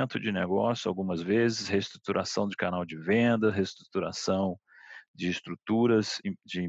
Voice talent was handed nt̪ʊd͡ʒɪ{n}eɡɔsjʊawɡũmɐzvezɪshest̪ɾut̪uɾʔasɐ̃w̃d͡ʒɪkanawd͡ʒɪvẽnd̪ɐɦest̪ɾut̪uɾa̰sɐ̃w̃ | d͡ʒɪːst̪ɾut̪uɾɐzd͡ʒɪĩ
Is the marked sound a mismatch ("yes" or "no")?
no